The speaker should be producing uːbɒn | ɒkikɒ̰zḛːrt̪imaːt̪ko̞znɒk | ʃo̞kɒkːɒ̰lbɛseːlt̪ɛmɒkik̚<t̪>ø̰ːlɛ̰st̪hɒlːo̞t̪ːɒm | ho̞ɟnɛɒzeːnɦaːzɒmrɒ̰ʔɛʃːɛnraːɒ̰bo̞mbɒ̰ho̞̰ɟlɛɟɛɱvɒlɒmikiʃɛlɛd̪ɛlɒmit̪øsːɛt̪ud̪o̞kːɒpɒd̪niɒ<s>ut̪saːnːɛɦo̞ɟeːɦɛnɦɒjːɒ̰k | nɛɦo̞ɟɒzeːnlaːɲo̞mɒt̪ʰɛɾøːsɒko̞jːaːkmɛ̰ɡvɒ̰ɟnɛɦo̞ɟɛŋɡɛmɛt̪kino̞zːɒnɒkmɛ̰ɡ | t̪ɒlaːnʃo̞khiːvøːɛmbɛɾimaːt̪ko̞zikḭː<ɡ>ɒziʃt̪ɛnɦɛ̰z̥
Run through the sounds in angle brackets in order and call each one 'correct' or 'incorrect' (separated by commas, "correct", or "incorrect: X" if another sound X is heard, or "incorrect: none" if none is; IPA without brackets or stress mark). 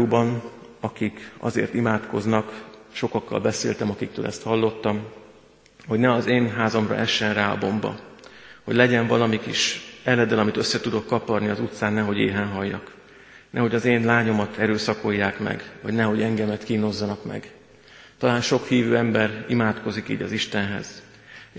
correct, incorrect: z, incorrect: ɟ